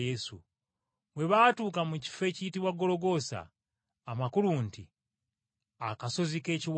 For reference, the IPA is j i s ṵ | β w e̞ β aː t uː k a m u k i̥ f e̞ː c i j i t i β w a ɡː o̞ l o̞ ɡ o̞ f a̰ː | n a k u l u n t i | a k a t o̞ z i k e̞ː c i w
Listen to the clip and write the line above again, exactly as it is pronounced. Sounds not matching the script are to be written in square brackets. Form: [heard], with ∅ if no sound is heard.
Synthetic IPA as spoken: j [e] s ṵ | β w e̞ β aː t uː k a m u [c] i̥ f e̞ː c i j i t i β w a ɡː o̞ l o̞ ɡ o̞ [s] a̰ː | [m] a k u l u n t i | a k a [s] o̞ z i k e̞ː c i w